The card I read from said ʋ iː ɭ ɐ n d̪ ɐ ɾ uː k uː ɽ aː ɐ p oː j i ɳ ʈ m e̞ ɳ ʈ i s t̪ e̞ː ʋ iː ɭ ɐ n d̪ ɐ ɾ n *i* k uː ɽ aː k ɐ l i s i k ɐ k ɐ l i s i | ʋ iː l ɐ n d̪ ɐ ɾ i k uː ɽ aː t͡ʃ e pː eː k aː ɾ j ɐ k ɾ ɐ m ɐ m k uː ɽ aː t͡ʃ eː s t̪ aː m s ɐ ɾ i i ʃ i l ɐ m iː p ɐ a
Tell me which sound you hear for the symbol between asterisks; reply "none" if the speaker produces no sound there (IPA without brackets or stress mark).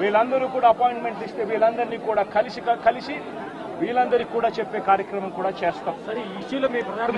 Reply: iː